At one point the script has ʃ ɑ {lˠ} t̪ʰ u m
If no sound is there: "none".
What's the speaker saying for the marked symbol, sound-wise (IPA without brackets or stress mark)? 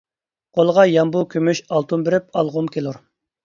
lˠ